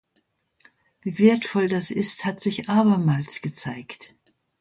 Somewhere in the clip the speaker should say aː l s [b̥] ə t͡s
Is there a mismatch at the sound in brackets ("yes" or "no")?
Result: yes